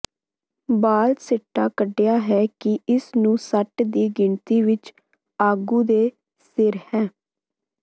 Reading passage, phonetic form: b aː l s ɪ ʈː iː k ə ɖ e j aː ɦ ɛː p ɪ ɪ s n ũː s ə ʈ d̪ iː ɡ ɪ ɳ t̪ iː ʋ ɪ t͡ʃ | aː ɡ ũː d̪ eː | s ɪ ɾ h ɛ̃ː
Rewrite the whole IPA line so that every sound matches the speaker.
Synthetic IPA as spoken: b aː l s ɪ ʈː aː k ə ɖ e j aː ɦ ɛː k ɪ ɪ s n ũː s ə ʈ d̪ iː ɡ ɪ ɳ t̪ iː ʋ ɪ t͡ʃ | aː ɡ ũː d̪ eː | s ɪ ɾ h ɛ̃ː